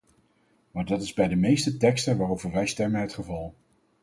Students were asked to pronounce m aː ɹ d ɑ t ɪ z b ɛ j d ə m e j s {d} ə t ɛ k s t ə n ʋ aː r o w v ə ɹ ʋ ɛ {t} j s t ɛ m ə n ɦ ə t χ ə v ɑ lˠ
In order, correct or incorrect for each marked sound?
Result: incorrect: t, incorrect: none

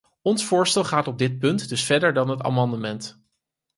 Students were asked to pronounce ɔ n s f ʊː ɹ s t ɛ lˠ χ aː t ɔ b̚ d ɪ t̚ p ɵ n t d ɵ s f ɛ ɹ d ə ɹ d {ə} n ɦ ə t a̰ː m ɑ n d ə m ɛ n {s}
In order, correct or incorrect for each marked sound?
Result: incorrect: ɑ, incorrect: t

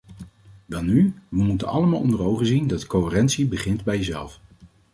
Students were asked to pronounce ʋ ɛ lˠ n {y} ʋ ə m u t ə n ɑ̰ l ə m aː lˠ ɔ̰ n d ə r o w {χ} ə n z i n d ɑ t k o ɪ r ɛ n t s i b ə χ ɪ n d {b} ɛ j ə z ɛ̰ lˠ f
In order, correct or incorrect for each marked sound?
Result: correct, correct, correct

